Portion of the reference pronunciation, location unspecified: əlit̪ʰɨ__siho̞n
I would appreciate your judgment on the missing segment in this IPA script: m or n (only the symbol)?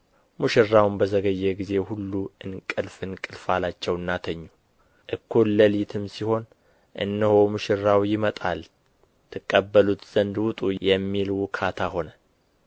m